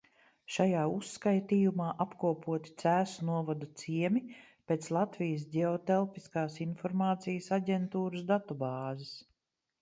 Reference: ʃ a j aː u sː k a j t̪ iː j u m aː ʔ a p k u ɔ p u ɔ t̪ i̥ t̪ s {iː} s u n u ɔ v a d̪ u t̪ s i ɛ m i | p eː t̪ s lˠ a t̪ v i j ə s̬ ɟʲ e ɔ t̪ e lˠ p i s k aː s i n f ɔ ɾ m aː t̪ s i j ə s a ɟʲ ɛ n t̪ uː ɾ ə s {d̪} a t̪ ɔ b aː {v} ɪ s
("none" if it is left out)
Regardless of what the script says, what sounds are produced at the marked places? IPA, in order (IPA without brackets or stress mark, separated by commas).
æː, d̪, z